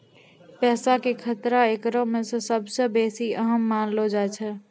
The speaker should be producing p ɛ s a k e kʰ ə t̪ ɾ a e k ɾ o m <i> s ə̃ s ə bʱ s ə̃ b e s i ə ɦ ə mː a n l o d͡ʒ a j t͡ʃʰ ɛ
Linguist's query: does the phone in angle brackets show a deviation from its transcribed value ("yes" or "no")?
yes